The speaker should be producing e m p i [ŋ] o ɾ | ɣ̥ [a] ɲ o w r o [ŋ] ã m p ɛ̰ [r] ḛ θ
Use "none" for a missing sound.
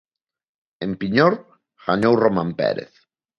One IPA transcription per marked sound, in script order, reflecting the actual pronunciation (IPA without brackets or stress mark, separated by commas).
ɲ, a, m, ɾ